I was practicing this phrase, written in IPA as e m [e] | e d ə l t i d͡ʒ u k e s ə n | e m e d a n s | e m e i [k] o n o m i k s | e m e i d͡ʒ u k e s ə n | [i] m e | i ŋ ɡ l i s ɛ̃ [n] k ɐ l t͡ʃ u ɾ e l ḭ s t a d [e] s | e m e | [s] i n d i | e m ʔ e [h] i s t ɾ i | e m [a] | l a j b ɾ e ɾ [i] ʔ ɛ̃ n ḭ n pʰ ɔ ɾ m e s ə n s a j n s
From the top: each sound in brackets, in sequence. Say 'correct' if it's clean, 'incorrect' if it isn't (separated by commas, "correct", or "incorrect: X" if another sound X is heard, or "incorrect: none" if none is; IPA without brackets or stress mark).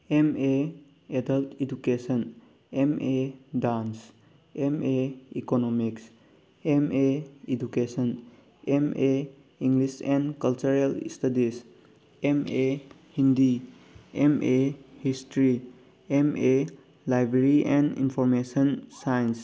correct, correct, incorrect: e, correct, incorrect: i, incorrect: h, correct, incorrect: e, correct